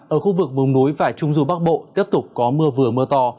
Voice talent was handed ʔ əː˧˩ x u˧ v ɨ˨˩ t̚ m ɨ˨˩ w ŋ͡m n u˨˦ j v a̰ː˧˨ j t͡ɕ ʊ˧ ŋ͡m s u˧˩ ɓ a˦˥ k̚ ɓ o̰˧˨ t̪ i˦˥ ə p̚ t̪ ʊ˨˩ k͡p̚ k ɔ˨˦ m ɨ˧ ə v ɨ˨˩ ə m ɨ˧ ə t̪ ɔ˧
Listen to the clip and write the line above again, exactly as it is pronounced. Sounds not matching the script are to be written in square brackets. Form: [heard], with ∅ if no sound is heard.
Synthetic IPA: ʔ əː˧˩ x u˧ v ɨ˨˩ [k̚] m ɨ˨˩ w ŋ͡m n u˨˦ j v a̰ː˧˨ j t͡ɕ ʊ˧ ŋ͡m [z] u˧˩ ɓ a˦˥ k̚ ɓ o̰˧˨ t̪ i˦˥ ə p̚ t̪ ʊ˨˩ k͡p̚ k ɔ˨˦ m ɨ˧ ə v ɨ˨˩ ə m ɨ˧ ə t̪ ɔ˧